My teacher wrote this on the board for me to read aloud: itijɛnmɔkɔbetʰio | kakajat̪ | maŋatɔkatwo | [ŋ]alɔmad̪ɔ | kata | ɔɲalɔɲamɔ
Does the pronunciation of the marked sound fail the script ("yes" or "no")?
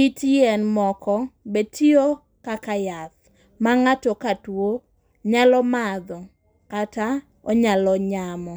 yes